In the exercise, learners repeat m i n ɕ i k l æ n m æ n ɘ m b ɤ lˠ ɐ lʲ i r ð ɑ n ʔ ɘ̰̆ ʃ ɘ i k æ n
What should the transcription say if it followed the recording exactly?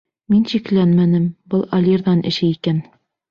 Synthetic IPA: m i n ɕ i k l æ n m æ n ɘ m b ɤ lˠ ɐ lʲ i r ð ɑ n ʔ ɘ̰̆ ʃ ɘ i k æ n

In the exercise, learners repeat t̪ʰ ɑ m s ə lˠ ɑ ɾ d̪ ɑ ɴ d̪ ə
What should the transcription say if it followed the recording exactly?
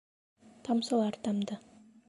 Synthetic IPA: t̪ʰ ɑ m s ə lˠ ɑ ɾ t̪ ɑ m d̪ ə

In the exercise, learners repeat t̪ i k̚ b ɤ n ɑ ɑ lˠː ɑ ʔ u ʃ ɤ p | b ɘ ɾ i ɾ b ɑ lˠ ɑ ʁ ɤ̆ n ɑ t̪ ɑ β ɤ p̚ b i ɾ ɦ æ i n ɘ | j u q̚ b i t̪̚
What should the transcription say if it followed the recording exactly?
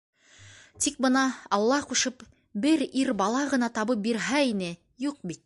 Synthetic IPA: t̪ i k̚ b ɤ n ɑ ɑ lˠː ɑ q u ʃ ɤ p | b ɘ ɾ i ɾ b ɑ lˠ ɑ ʁ ɤ̆ n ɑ t̪ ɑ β ɤ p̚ b i ɾ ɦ æ i n ɘ | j u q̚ b i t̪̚

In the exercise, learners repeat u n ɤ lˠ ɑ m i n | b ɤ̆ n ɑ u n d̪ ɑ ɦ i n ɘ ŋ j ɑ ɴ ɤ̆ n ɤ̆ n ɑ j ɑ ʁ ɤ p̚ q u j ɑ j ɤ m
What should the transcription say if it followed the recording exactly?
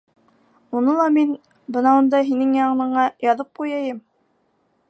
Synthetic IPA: u n ɤ lˠ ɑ m i n | b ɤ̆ n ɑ u n d̪ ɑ ɦ i n ɘ ŋ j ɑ ɴ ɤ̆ n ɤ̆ ɴ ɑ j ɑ ð ɤ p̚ q u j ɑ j ɤ m

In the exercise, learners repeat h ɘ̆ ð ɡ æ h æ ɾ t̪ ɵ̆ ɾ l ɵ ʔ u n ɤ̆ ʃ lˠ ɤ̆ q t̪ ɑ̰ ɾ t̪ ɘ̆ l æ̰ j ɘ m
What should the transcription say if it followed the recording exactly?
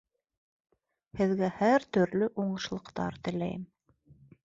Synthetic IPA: h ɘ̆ ð ɡ æ h æ ɾ t̪ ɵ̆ ɾ l ɵ ʔ u ɴ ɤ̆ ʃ lˠ ɤ̆ q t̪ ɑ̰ ɾ t̪ ɘ̆ l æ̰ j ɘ m

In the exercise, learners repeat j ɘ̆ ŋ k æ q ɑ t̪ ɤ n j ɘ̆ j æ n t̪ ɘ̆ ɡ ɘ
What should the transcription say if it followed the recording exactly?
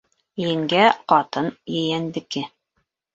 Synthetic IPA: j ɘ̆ ŋ ɡ æ q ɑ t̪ ɤ n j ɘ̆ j æ n d̪ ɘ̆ k ɘ

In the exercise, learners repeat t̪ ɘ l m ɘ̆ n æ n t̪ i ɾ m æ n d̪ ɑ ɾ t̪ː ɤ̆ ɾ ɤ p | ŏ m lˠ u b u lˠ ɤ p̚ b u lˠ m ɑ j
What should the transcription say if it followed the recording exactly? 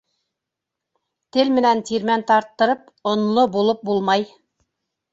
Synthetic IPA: t̪ ɘ l m ɘ̆ n æ n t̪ i ɾ m æ n t̪ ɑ ɾ t̪ː ɤ̆ ɾ ɤ p | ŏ n lˠ o b u lˠ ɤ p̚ b u lˠ m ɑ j

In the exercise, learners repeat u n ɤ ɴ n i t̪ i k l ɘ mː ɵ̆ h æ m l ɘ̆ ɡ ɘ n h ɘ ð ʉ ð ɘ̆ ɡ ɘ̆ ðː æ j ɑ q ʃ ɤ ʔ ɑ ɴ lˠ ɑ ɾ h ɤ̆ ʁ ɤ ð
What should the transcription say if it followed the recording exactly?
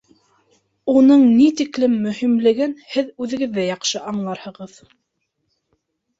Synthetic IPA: u n ɤ ɴ n i t̪ i k l ɘ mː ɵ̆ h i m l ɘ̆ ɡ ɘ n h ɘ ð ʉ ð ɘ̆ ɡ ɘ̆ ðː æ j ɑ q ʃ ɤ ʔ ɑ ɴ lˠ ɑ ɾ h ɤ̆ ʁ ɤ ð

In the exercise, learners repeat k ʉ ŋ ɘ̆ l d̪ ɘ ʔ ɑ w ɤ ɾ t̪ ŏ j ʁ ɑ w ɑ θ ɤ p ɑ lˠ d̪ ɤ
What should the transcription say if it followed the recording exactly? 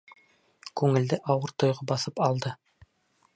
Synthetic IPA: k ʉ ŋ ɘ̆ l d̪ ɘ ʔ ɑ w ɤ ɾ t̪ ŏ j ʁ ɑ b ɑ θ ɤ p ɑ lˠ d̪ ɤ

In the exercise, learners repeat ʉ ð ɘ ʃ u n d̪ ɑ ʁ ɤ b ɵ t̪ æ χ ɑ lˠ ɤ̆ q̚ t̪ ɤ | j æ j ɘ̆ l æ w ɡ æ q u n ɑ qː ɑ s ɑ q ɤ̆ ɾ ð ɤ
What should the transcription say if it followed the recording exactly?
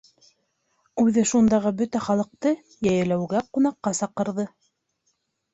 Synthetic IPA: ʉ ð ɘ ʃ u n d̪ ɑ ʁ ɤ b ɵ t̪ æ χ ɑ lˠ ɤ̆ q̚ t̪ ɤ | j æ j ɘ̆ l æ w ɡ æ q u n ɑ qː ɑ s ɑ q ɤ̆ ɾ ð ɤ

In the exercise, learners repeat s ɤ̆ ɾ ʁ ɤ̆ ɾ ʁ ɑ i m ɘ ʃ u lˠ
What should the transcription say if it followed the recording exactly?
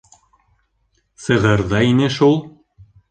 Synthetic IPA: s ɤ̆ ʁ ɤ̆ ɾ ð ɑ i n ɘ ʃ u lˠ

